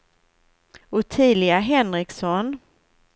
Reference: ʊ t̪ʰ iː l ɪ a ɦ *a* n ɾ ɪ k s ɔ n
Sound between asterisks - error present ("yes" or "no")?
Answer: yes